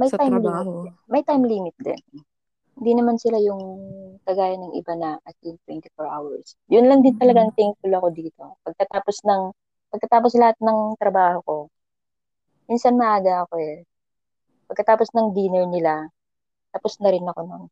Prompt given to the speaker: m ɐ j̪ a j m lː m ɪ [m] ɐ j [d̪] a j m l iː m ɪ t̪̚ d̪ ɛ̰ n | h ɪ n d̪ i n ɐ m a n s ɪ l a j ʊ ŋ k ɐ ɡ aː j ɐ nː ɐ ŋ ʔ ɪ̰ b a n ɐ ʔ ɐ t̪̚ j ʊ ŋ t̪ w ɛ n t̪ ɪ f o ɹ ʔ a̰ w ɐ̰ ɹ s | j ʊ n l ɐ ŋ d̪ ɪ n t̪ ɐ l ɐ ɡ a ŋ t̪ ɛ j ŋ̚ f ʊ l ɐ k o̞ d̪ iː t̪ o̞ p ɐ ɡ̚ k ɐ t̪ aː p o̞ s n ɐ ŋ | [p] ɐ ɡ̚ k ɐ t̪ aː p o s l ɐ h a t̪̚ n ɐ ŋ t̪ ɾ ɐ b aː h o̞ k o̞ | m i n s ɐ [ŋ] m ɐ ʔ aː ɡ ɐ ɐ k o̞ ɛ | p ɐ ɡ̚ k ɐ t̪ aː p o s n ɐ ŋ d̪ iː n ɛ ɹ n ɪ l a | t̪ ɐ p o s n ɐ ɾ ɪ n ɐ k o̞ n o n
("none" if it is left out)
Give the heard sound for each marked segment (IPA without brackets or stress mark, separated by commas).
m, t̪, p, n